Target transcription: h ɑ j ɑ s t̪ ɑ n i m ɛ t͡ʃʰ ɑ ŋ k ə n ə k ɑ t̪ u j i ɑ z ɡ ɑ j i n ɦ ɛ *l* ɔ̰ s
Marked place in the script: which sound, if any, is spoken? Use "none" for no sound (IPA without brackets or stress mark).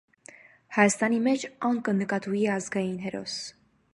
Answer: ɾ